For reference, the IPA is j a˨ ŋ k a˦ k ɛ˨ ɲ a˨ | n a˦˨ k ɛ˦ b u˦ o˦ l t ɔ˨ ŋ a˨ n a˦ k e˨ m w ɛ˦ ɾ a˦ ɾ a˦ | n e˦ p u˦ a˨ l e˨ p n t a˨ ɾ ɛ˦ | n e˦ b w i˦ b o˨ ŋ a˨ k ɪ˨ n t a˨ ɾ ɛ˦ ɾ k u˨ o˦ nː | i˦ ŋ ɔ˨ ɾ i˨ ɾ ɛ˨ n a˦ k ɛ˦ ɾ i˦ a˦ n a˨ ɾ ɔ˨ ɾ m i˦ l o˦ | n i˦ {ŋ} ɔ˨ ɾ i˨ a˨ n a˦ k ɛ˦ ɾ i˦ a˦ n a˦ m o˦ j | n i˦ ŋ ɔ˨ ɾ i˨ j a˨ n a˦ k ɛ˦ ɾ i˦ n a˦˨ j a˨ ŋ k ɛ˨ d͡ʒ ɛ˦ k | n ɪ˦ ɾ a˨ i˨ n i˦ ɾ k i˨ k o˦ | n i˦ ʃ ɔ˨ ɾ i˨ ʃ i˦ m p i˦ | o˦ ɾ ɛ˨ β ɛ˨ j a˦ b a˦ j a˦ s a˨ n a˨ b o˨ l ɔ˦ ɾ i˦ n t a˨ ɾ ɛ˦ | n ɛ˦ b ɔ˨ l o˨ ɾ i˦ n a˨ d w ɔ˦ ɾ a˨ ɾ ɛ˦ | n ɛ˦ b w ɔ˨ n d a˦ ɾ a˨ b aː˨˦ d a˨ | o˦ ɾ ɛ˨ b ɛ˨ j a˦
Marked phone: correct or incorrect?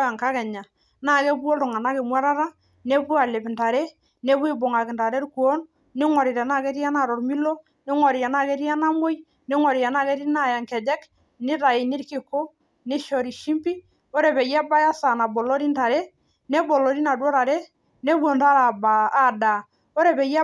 correct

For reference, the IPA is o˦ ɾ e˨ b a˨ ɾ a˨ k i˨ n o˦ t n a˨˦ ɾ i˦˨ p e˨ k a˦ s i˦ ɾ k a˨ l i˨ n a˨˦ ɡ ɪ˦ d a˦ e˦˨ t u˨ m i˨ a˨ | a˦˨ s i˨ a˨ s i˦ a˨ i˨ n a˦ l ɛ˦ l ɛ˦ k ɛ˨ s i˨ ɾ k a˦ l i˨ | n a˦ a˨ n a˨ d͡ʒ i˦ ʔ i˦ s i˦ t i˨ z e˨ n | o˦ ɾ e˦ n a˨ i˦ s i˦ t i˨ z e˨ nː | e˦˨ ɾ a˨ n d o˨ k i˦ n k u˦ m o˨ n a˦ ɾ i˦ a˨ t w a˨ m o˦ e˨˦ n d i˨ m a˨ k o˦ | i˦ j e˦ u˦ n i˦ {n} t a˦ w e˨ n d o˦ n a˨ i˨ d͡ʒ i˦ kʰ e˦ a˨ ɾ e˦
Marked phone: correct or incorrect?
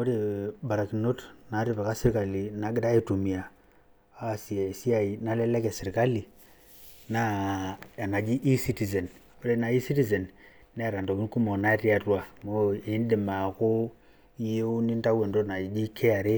correct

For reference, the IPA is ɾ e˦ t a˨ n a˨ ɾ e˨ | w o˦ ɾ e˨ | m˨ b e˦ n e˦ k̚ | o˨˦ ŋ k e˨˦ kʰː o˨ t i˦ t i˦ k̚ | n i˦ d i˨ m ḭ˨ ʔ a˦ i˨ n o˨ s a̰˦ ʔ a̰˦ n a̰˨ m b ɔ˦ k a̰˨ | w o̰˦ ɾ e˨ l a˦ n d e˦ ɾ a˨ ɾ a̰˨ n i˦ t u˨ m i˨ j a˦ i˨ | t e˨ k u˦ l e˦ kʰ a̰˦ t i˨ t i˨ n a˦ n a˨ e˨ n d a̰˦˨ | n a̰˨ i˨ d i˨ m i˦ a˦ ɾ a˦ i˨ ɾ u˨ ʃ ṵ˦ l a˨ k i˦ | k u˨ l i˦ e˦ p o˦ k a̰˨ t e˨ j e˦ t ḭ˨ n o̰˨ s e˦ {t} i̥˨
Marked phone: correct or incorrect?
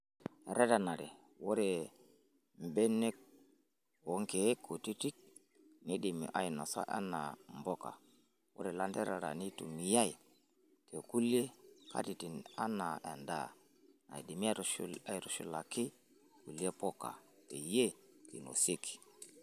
incorrect: k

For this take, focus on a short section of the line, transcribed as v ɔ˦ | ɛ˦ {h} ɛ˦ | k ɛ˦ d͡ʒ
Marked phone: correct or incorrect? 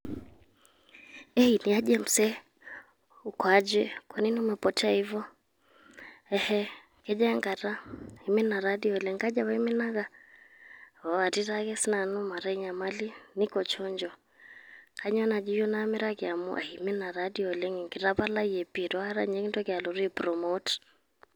correct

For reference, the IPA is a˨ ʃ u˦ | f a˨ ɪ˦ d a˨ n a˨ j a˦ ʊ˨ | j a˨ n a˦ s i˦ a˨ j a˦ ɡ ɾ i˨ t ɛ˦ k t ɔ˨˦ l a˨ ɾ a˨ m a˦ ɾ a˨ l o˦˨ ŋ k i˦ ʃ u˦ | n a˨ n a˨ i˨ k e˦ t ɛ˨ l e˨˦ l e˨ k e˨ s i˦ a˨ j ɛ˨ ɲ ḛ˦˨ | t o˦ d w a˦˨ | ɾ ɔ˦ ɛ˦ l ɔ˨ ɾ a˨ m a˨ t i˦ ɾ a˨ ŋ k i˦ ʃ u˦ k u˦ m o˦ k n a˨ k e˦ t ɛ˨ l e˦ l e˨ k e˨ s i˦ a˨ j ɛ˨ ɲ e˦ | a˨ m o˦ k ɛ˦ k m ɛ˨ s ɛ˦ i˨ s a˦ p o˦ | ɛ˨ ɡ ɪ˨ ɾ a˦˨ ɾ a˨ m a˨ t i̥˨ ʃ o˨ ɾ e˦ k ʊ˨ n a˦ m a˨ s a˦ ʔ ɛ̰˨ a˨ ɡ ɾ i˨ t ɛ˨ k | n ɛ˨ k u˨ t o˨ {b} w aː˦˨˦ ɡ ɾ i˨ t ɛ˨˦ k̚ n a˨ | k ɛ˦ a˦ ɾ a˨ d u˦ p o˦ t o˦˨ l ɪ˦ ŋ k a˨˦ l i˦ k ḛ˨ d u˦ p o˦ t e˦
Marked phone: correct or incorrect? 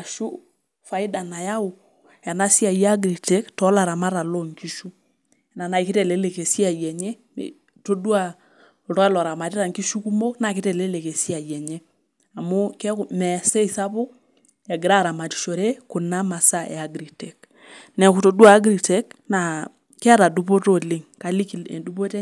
incorrect: d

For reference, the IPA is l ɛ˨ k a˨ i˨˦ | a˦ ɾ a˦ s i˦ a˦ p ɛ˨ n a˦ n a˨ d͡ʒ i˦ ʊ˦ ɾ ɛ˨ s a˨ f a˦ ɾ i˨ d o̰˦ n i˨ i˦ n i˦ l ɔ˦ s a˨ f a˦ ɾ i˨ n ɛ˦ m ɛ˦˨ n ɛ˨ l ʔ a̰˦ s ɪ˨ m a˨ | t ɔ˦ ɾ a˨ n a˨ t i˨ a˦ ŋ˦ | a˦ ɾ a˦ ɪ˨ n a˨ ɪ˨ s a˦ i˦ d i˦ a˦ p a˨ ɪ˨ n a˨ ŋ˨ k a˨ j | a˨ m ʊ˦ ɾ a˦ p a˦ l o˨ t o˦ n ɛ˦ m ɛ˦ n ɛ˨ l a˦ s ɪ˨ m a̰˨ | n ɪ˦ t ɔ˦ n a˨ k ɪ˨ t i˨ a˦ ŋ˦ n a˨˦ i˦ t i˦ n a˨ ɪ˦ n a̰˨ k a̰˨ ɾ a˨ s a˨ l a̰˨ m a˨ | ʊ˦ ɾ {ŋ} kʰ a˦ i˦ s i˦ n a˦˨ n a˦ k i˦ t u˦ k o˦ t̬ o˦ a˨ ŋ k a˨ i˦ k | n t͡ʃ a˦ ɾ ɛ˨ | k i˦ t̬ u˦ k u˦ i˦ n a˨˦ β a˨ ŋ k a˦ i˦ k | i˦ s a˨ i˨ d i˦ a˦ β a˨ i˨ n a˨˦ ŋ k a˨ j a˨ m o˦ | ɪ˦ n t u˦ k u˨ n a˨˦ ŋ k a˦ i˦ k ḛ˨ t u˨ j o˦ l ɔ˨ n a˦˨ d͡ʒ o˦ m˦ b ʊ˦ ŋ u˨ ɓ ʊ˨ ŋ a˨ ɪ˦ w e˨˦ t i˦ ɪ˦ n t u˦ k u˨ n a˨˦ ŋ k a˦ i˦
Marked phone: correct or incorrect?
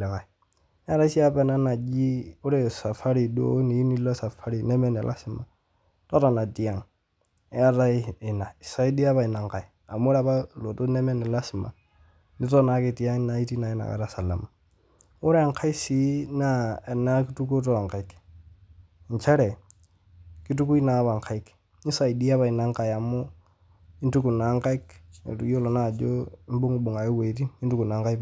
correct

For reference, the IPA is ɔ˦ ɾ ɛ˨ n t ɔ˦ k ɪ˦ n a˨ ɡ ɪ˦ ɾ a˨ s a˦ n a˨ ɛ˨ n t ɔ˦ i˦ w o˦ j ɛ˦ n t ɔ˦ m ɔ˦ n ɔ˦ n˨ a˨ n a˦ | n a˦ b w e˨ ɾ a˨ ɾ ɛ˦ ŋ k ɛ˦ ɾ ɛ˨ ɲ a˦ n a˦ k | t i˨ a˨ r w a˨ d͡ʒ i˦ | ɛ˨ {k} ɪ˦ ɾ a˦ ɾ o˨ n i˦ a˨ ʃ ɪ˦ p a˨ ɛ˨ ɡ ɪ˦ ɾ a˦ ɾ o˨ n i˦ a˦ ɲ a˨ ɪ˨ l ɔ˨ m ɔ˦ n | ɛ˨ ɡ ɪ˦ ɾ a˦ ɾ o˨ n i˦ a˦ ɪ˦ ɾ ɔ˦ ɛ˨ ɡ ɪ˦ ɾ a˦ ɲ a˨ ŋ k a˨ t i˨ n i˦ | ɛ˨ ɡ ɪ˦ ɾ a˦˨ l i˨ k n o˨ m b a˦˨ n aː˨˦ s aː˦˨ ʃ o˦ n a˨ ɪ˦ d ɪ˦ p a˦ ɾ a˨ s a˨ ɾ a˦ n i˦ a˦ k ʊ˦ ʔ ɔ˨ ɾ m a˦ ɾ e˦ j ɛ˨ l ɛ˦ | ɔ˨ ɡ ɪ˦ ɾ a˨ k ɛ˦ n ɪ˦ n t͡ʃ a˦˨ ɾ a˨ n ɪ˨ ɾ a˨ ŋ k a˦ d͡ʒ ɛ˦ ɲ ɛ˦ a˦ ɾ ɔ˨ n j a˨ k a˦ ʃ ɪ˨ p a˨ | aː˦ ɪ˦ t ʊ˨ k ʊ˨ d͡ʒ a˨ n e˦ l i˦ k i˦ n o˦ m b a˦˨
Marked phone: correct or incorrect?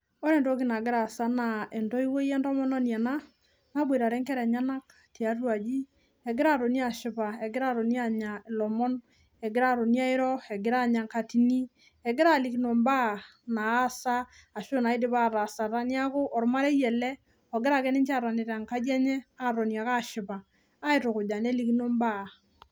incorrect: ɡ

